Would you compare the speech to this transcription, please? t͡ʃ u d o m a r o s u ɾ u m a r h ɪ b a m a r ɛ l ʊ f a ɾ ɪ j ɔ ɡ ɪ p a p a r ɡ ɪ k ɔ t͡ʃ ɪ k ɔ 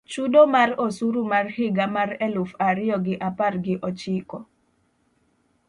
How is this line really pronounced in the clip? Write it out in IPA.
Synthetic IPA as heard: t͡ʃ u d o m a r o s u ɾ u m a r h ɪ ɡ a m a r ɛ l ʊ f a ɾ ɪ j ɔ ɡ ɪ ʔ a p a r ɡ ɪ ʔ ɔ t͡ʃ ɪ k ɔ